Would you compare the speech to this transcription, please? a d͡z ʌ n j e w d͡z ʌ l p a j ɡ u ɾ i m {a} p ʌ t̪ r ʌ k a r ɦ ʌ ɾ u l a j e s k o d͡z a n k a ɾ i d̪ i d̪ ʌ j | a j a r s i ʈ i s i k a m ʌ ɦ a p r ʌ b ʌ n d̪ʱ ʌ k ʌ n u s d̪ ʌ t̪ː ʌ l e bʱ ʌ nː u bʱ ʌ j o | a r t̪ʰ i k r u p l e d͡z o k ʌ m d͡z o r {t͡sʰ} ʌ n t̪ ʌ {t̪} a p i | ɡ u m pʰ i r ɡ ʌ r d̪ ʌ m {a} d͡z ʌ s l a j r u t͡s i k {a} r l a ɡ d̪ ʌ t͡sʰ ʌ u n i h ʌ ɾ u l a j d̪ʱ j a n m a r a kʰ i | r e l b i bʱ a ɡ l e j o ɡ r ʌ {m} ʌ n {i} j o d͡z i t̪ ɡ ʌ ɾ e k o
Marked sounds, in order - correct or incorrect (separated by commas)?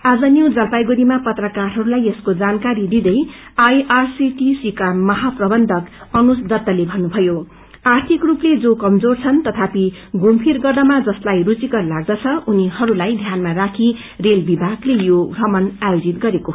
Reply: correct, correct, incorrect, correct, incorrect, correct, incorrect